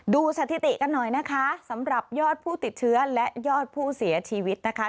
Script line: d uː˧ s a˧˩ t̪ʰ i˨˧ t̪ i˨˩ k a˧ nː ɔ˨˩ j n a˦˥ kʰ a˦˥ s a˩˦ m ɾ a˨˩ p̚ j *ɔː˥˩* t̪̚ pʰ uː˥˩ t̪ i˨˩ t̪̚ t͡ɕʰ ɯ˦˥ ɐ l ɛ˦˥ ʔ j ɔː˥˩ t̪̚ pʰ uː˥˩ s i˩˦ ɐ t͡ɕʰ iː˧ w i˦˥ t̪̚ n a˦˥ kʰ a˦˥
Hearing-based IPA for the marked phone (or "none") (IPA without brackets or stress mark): ɔː˥˩